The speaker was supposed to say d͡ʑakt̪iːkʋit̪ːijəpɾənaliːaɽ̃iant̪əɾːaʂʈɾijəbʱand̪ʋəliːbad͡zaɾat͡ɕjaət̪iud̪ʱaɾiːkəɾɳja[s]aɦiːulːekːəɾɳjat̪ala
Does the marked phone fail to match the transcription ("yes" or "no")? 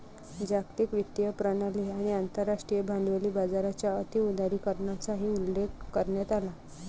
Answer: yes